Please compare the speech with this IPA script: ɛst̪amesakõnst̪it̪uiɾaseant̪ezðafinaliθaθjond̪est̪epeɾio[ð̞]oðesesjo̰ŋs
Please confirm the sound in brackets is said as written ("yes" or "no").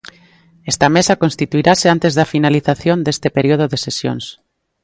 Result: yes